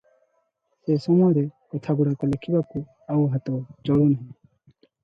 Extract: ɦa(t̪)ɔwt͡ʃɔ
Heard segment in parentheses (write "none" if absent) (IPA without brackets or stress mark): t̪